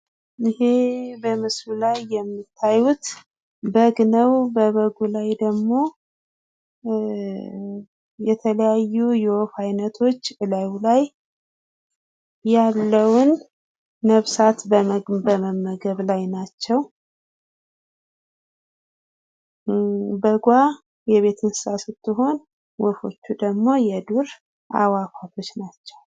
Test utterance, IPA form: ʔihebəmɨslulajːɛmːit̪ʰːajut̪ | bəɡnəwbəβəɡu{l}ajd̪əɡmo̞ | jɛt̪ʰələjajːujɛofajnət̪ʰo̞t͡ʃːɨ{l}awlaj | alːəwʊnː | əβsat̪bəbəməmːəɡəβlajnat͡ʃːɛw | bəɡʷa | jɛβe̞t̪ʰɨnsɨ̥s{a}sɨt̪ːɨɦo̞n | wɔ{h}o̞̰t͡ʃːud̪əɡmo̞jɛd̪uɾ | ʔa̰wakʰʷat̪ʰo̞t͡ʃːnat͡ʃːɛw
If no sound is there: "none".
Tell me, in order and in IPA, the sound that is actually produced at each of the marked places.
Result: l, l, a, f

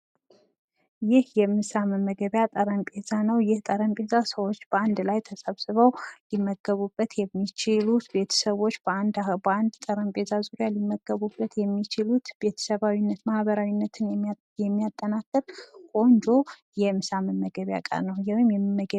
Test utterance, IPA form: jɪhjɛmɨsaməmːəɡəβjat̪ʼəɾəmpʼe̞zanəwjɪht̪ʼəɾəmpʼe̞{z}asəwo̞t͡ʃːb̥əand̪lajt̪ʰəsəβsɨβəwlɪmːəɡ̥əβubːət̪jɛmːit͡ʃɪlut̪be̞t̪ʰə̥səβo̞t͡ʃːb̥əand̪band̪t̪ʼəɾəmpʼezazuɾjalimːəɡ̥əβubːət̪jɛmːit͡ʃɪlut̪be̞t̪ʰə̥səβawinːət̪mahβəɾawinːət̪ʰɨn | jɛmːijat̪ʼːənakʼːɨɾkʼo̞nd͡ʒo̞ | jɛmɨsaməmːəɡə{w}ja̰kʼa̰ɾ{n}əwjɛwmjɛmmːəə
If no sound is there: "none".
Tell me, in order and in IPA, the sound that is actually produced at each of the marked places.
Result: z, β, n

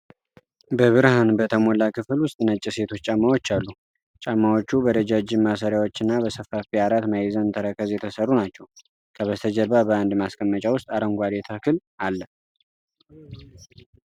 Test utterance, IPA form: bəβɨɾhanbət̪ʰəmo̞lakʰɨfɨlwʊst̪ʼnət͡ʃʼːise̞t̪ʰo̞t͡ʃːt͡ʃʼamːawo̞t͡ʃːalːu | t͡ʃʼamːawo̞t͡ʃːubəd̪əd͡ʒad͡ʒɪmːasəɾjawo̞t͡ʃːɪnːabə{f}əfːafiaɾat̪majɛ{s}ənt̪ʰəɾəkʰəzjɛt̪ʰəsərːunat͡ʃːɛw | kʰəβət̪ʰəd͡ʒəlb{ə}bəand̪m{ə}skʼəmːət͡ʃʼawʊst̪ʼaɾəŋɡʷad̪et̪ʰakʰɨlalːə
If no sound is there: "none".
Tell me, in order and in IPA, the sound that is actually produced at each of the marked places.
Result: s, z, a, a

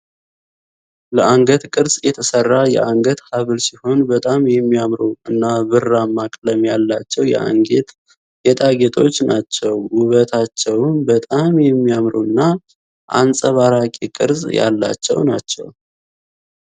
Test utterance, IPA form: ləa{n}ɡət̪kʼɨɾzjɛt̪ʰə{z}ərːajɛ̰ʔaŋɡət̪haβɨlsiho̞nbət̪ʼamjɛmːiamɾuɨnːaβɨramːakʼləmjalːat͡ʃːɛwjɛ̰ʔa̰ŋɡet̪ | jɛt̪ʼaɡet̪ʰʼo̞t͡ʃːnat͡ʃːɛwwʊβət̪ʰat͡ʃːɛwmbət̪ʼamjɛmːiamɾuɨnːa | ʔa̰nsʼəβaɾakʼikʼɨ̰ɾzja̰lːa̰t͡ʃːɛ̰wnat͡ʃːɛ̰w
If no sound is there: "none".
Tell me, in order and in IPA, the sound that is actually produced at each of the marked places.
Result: ŋ, s

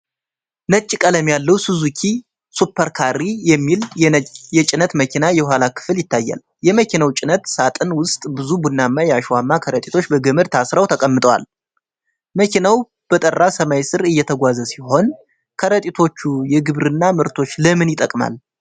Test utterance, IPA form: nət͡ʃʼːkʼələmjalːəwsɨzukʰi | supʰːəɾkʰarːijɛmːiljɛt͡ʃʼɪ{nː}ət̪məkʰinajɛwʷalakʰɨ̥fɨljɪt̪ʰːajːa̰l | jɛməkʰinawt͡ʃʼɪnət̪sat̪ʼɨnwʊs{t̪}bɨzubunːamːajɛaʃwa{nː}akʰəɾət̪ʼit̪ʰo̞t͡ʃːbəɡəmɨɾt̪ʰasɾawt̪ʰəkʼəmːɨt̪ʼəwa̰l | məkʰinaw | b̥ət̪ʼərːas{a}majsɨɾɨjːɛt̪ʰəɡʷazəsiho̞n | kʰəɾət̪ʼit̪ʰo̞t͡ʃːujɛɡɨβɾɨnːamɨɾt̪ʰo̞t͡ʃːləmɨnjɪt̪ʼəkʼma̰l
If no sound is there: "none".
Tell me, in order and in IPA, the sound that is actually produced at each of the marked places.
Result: n, t̪ʼ, mː, ə

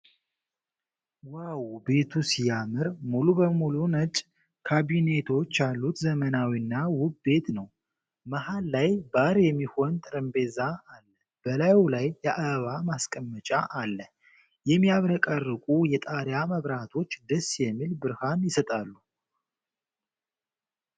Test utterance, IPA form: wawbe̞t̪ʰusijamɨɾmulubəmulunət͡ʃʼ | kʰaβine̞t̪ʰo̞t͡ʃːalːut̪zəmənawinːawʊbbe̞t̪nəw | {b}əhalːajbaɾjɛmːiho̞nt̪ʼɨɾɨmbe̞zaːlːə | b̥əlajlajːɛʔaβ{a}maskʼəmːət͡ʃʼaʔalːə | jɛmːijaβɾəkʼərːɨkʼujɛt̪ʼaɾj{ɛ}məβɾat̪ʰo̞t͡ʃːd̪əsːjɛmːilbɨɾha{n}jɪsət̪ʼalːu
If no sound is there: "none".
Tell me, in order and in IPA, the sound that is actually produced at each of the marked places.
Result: m, a, a, n

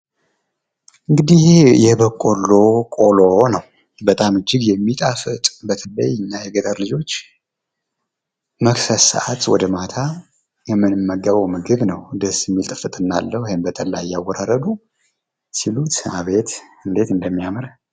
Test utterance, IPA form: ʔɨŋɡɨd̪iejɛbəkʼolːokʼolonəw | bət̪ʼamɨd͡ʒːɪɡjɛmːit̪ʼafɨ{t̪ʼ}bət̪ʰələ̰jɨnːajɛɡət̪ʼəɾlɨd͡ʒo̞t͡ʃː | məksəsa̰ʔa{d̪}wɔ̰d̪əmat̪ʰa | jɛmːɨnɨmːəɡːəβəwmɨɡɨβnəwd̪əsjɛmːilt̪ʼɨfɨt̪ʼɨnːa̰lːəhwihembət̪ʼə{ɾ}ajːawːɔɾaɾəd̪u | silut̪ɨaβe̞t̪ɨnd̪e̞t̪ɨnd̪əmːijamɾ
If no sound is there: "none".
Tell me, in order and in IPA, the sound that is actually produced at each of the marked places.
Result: t̪ʼ, t̪, l

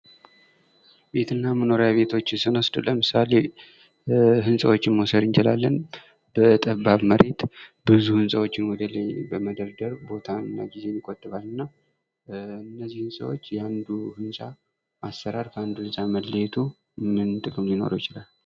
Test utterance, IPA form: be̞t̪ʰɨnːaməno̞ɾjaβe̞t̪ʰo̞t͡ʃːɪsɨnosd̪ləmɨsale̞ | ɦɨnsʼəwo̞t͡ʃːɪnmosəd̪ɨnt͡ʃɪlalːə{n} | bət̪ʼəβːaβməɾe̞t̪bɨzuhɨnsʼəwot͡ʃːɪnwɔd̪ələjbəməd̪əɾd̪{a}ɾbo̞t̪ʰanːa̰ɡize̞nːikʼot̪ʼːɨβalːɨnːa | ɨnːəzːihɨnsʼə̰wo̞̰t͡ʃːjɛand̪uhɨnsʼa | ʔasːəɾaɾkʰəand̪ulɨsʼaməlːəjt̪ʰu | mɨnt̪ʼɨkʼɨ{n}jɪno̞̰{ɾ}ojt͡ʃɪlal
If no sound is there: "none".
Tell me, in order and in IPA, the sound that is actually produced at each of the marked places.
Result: n, ə, m, ɾ

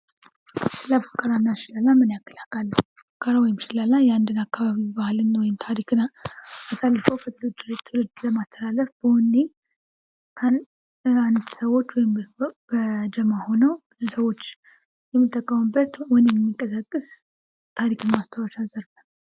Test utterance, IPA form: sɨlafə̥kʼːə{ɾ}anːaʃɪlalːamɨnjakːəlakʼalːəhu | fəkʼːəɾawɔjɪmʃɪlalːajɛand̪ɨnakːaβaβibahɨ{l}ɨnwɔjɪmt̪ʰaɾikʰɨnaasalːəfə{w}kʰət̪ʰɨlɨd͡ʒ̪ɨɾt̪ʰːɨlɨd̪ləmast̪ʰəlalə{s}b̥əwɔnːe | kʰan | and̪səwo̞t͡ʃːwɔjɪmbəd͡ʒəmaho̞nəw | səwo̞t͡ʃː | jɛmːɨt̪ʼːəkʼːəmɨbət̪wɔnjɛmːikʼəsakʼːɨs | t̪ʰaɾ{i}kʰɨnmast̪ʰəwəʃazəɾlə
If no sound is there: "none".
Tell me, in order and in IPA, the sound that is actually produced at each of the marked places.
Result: ɾ, l, w, f, i

